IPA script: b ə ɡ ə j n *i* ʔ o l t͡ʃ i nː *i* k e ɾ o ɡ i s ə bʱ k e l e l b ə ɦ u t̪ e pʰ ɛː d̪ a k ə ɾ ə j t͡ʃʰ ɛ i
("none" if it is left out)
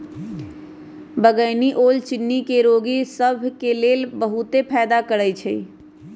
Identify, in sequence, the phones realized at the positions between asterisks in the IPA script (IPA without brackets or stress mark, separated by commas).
i, i